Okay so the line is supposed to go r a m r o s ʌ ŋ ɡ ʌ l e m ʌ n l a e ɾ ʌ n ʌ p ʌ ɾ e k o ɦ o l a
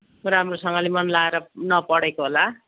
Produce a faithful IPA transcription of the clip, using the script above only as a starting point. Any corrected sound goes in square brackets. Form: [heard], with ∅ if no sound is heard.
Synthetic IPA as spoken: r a m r o s ʌ ŋ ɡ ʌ l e m ʌ n l a e ɾ ʌ n ʌ p ʌ [ɽ] e k o ɦ o l a